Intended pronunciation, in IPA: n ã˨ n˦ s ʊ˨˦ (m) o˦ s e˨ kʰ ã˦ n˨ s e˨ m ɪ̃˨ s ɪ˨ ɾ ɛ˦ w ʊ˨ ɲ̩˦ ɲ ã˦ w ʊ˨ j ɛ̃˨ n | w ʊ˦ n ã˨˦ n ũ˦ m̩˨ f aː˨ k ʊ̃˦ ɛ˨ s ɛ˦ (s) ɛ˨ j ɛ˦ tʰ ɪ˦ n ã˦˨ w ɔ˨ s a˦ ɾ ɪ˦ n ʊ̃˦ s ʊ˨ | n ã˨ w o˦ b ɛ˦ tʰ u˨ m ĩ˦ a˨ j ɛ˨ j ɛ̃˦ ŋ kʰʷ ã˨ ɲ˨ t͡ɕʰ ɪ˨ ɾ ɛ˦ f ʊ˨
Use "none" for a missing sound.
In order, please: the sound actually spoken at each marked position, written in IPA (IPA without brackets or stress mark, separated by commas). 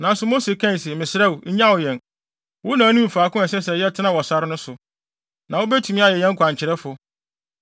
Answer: m, s